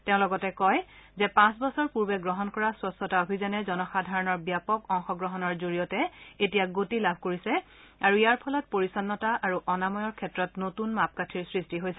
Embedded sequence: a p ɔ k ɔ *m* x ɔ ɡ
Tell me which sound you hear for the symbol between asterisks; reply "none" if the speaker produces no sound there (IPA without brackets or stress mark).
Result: ŋ